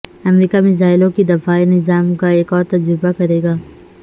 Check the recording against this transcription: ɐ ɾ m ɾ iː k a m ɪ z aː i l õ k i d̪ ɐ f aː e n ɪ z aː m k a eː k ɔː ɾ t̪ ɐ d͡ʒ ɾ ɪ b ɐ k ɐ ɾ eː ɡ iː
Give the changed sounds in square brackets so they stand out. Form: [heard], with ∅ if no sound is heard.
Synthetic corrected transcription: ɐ [∅] m ɾ iː k a m ɪ z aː [ɪ] l õ k i d̪ ɐ f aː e n ɪ z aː m k a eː k ɔː ɾ t̪ ɐ d͡ʒ ɾ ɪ b [a] k ɐ ɾ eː ɡ [aː]